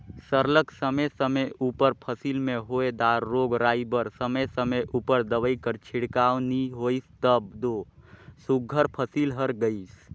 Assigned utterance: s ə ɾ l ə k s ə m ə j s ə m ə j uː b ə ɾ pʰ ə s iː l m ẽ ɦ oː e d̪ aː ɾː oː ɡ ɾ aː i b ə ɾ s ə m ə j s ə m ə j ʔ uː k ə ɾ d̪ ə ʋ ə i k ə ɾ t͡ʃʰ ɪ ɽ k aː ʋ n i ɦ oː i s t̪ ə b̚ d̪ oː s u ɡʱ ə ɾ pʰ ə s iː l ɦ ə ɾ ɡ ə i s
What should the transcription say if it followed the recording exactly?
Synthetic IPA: s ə ɾ l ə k s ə m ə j s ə m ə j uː p ə ɾ pʰ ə s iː l m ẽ ɦ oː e d̪ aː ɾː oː ɡ ɾ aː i b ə ɾ s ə m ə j s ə m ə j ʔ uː p ə ɾ d̪ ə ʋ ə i k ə ɾ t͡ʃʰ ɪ ɽ k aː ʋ n i ɦ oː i s t̪ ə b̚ d̪ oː s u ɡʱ ə ɾ pʰ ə s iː l ɦ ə ɾ ɡ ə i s